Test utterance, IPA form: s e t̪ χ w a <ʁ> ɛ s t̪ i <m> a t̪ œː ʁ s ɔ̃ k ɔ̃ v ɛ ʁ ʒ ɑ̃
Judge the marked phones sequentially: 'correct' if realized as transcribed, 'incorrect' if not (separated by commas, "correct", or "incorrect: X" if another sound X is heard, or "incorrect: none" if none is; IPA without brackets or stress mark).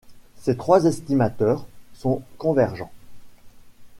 incorrect: z, correct